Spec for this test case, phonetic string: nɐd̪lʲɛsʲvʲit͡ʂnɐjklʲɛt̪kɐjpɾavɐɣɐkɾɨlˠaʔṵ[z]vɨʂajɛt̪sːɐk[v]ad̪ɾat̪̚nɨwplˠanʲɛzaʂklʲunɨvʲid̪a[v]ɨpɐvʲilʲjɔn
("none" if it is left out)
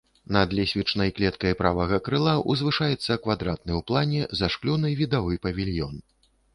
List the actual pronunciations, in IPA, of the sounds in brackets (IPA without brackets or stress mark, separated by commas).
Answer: z, v, v